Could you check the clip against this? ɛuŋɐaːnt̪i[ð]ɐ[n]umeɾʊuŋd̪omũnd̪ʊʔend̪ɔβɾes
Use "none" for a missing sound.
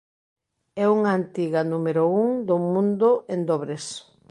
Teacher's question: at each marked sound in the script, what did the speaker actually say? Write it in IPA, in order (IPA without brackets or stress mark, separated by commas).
ɣ, n